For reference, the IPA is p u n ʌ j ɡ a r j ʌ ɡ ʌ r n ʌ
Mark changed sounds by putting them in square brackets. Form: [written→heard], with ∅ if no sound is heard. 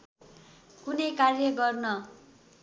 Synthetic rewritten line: [p→k] u n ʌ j [ɡ→k] a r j ʌ ɡ ʌ r n ʌ

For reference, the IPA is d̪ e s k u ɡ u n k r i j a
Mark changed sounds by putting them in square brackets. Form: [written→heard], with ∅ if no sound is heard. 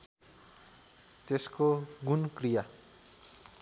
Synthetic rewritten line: [d̪→t̪] e s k [u→o] ɡ u n k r i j a

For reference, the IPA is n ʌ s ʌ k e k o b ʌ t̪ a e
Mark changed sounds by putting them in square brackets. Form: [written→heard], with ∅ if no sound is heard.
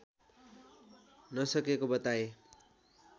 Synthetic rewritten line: n ʌ s ʌ k e k o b ʌ t̪ a e

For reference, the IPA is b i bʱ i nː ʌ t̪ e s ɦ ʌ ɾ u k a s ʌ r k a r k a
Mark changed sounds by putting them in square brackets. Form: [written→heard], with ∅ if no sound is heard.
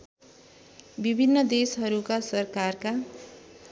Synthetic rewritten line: b i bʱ i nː ʌ [t̪→d̪] e s ɦ ʌ ɾ u k a s ʌ r k a r k a

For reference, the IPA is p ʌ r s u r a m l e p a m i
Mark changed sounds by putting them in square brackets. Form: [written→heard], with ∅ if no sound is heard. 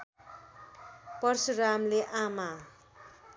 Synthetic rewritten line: p ʌ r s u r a m l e [p→ʔ] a m [i→a]

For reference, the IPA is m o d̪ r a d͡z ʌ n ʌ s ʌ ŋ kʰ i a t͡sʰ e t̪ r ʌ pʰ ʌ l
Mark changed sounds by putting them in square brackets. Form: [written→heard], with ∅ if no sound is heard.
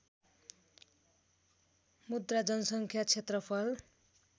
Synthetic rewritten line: m [o→u] d̪ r a d͡z ʌ n ʌ s ʌ ŋ kʰ [i→j] a t͡sʰ e t̪ r ʌ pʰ ʌ l

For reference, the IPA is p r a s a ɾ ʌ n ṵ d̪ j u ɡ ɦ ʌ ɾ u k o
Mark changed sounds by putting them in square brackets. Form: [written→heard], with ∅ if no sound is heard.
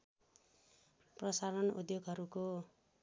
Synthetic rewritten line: p r [a→ʌ] s a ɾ ʌ n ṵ d̪ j [u→o] ɡ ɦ ʌ ɾ u k o

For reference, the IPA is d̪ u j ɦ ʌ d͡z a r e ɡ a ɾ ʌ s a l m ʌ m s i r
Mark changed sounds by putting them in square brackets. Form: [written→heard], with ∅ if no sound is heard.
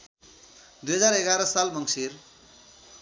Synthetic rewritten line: d̪ u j ɦ ʌ d͡z a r e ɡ a ɾ ʌ s a l m ʌ [m→ŋ] s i r

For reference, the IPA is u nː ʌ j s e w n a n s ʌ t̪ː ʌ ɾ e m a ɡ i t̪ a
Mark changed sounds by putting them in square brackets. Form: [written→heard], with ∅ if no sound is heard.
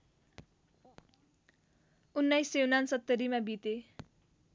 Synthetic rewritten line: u nː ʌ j s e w n a n s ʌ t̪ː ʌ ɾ [e→i] m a [ɡ→b] i t̪ [a→e]

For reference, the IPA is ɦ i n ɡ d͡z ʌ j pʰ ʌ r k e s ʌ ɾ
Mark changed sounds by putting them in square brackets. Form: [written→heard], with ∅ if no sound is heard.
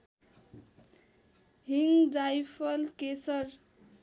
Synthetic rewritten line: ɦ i [n→ŋ] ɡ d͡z [ʌ→a] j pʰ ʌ [r→l] k e s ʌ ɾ

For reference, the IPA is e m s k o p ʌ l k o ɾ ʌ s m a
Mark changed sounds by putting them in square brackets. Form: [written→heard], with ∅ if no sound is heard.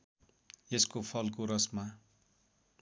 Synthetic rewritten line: e [m→∅] s k o [p→pʰ] ʌ l k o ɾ ʌ s m a

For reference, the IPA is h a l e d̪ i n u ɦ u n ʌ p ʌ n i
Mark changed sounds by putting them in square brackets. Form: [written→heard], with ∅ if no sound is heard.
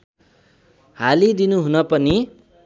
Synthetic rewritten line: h a l [e→i] d̪ i n u ɦ u n ʌ p ʌ n i

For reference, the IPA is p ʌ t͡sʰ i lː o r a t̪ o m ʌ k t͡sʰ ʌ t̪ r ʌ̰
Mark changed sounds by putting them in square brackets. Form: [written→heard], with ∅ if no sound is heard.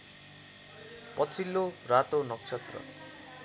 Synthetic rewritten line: p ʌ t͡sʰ i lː o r a t̪ o [m→n] ʌ k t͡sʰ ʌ t̪ r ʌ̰

